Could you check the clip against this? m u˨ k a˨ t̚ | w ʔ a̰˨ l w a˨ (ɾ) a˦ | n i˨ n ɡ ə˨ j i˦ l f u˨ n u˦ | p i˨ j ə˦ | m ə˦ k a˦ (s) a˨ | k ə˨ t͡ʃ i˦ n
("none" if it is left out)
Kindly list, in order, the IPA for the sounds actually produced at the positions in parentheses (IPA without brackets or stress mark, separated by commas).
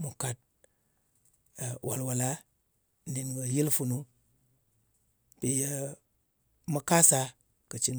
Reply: l, s